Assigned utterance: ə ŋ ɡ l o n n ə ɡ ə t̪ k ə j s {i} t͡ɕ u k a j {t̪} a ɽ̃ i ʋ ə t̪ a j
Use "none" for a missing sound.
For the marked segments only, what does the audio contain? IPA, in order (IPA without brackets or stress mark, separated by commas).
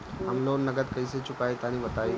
e, t̪